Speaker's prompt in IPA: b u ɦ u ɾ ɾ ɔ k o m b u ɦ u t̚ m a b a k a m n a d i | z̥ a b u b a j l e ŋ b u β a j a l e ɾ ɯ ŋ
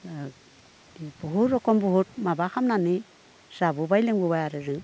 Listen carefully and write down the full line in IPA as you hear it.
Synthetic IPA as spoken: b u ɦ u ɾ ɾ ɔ k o m b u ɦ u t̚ m a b a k a m n a n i | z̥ a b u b a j l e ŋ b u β a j a ɾ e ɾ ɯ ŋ